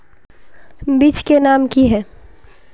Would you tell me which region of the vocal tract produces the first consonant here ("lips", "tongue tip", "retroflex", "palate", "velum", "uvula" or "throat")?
lips